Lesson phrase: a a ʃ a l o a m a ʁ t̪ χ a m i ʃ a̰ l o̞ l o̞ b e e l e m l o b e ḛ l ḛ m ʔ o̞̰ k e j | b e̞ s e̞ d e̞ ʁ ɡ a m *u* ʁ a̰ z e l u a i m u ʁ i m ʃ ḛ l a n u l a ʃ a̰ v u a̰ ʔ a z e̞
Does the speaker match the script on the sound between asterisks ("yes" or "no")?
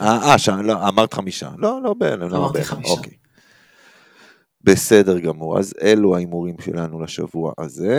yes